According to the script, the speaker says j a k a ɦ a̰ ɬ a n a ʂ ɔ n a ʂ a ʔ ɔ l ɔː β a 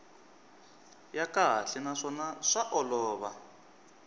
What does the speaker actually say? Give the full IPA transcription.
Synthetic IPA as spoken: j a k a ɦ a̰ ɬ ɛ n a ʂ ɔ n a ʂ a ʔ ɔ l ɔː β a